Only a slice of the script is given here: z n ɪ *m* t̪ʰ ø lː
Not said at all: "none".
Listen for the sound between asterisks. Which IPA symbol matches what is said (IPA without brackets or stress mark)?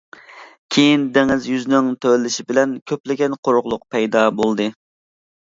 ŋ